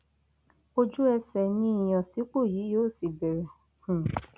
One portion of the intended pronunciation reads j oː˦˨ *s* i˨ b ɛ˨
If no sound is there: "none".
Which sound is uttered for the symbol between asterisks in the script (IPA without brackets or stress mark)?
s